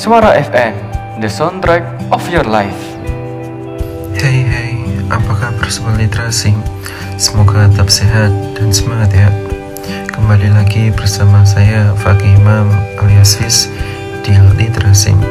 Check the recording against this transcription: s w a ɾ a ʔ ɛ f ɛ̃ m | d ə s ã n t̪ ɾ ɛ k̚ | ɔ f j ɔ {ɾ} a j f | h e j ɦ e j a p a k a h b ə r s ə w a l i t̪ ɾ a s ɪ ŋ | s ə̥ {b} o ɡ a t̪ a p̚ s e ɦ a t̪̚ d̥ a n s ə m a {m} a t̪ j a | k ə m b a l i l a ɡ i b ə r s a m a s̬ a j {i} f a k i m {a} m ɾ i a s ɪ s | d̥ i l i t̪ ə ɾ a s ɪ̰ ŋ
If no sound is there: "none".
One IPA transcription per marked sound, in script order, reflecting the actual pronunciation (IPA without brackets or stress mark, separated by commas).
l, m, ŋ, a, a